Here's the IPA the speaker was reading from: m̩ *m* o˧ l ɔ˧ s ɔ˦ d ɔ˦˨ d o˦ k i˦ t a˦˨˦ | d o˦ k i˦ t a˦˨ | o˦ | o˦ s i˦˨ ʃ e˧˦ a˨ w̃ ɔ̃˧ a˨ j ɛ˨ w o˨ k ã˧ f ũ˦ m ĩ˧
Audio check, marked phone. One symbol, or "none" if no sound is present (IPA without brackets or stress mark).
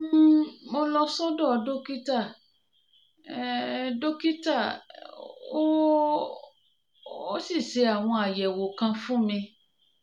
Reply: m